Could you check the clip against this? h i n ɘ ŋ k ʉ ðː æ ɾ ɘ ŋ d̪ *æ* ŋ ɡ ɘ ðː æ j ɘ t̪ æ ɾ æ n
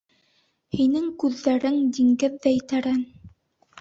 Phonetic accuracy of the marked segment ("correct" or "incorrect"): incorrect